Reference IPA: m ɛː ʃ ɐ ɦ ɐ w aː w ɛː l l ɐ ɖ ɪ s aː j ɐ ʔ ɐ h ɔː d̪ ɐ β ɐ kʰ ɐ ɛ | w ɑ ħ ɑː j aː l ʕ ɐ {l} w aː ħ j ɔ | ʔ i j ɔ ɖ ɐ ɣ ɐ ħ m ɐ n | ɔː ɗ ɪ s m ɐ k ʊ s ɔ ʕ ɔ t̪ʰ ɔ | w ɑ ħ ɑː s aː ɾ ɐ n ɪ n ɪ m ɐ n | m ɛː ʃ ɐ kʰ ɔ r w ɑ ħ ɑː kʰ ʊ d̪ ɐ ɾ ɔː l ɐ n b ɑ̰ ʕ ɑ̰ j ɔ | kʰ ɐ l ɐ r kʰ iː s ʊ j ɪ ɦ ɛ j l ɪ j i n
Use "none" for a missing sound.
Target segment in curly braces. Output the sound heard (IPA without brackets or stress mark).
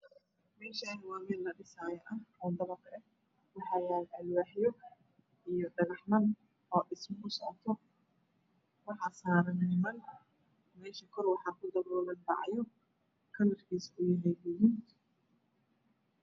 l